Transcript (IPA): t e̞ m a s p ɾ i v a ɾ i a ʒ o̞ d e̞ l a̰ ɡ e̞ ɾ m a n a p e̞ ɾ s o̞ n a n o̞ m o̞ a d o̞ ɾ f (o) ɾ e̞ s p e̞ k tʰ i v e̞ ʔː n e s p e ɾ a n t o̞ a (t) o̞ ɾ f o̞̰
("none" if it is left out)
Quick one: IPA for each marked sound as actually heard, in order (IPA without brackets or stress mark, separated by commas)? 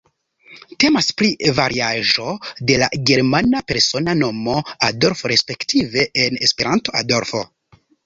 o, d